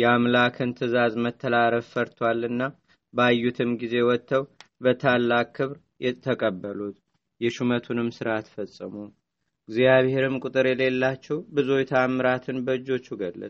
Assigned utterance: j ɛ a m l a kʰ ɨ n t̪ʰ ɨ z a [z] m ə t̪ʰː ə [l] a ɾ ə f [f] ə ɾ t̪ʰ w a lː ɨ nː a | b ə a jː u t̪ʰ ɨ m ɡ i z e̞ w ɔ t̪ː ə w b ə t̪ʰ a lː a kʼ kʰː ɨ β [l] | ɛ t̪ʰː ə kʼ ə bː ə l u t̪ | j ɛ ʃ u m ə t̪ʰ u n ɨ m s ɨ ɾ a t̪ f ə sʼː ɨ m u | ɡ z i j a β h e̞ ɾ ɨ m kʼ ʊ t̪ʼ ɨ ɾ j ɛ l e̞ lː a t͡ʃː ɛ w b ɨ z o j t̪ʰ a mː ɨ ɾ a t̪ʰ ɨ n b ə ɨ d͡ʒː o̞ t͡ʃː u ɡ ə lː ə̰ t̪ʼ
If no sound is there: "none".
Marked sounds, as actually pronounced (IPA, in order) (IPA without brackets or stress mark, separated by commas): z, l, f, ɾ